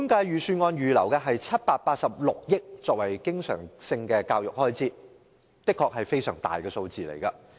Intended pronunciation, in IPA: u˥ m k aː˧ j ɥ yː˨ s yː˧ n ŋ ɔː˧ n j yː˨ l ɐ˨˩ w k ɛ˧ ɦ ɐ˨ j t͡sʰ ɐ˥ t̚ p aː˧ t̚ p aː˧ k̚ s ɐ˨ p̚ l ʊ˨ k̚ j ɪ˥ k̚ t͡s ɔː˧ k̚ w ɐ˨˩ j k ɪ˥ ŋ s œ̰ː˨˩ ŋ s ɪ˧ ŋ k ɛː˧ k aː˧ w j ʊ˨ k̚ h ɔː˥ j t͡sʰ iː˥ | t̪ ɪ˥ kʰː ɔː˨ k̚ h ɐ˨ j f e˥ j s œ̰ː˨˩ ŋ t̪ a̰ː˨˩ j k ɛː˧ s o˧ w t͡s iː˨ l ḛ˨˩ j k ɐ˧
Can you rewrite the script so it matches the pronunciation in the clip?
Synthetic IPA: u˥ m k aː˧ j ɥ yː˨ s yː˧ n ŋ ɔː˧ n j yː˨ l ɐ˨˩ w k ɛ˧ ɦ ɐ˨ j t͡sʰ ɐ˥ t̚ p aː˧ t̚ p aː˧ t̚ s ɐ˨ p̚ l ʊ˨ k̚ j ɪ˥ k̚ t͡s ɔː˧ k̚ w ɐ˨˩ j k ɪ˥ ŋ s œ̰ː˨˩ ŋ s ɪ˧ ŋ k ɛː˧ k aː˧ w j ʊ˨ k̚ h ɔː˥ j t͡s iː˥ | t̪ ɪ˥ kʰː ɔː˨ k̚ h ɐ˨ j f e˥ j s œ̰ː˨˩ ŋ t̪ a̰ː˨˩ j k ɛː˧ s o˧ w t͡s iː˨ l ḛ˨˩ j k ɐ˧